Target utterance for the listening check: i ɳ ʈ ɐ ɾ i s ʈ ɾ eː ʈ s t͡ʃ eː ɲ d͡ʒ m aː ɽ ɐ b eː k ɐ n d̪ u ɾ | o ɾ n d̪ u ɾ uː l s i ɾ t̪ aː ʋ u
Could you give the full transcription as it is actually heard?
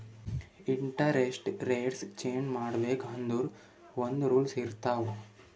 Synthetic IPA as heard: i ɳ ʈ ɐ ɾ e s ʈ ɾ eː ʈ s t͡ʃ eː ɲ d͡ʒ m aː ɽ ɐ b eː k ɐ n d̪ u ɾ | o n d̪ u ɾ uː l s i ɾ t̪ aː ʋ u